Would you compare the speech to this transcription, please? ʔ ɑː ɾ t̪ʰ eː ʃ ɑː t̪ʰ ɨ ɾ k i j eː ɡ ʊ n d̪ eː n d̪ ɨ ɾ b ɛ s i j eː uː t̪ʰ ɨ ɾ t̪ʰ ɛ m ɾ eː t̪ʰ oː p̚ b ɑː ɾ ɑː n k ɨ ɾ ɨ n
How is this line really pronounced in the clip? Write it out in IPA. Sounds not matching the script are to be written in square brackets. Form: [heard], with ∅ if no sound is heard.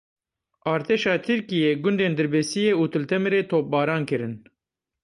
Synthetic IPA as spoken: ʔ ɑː ɾ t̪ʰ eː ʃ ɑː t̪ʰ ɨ ɾ k i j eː ɡ ʊ n d̪ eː n d̪ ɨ ɾ b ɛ s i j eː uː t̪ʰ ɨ [l] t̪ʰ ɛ m ɾ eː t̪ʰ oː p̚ b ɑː ɾ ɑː n k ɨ ɾ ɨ n